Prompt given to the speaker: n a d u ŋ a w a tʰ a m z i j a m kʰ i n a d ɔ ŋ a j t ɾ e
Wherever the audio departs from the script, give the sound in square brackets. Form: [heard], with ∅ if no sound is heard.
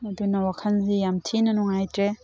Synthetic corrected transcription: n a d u [n] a w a [kʰ] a [n] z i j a m [tʰ] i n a [n] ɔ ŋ a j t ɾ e